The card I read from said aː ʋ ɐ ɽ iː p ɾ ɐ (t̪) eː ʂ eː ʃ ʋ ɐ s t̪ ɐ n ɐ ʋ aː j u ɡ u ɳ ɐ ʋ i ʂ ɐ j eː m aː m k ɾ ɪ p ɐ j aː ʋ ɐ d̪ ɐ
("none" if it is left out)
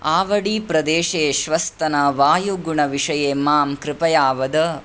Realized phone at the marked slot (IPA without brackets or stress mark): d̪